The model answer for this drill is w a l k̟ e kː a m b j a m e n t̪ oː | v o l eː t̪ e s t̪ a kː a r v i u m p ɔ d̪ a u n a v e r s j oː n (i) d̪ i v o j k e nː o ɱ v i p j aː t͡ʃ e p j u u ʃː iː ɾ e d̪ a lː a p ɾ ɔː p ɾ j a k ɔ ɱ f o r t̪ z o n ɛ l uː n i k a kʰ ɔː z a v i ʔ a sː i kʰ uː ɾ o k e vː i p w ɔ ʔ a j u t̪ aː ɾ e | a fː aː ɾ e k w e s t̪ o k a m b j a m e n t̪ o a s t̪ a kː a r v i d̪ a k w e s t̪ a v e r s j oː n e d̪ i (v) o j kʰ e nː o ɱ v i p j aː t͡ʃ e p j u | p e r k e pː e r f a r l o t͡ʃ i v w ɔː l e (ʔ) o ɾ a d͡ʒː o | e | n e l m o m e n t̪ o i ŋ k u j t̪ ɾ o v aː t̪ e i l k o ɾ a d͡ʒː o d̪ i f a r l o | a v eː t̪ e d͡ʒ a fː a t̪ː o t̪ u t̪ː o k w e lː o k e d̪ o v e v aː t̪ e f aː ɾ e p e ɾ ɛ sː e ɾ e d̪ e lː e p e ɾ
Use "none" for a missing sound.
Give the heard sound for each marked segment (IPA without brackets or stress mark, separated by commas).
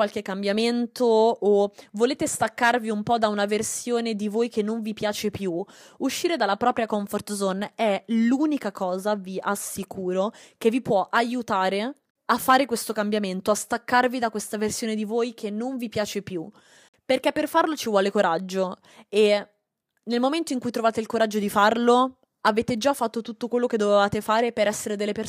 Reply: e, v, k